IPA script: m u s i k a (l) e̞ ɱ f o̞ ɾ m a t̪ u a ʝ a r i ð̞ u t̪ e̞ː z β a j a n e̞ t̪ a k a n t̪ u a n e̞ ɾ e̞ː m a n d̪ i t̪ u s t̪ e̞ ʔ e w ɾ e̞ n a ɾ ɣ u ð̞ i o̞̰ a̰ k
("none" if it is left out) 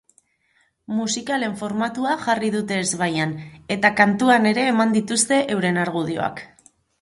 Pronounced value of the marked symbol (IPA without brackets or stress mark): l